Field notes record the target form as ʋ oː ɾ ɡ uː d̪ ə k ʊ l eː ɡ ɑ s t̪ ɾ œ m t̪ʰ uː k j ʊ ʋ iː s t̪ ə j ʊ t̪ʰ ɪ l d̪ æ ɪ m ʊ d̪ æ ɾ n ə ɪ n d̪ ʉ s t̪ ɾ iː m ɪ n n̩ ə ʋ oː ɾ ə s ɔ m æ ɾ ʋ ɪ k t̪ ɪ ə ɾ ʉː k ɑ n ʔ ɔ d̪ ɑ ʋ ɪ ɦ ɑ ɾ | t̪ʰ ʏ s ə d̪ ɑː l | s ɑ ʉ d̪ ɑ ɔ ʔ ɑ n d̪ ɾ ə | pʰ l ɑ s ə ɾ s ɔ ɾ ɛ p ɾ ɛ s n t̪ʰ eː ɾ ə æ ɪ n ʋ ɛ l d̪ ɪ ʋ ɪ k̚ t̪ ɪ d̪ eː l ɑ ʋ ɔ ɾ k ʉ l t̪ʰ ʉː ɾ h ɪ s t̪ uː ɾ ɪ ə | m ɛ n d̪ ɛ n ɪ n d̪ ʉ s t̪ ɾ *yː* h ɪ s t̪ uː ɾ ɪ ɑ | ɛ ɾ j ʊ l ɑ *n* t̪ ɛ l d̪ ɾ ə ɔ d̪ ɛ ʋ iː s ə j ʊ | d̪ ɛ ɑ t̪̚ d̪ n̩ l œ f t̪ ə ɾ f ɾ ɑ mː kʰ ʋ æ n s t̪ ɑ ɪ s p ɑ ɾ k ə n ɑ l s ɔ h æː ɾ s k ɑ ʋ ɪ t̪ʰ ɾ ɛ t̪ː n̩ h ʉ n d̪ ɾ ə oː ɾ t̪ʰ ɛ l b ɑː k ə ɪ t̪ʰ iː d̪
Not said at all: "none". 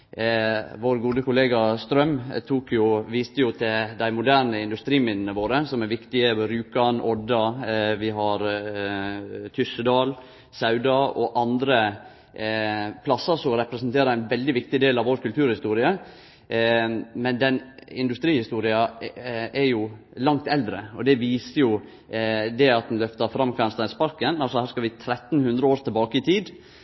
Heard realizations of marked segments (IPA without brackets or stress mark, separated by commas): iː, ŋ